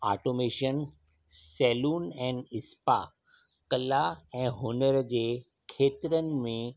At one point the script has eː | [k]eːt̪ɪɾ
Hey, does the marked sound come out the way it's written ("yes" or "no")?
no